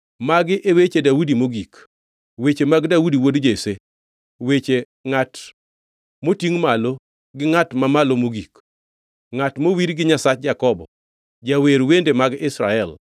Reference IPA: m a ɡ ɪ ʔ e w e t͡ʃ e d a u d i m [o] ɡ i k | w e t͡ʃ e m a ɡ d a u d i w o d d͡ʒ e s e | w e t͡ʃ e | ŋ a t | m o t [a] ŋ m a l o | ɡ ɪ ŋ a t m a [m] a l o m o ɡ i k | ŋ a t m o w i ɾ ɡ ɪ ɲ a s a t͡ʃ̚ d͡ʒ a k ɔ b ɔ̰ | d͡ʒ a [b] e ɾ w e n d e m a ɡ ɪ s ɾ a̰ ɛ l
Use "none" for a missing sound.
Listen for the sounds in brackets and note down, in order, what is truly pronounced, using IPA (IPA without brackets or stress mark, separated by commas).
o, i, m, w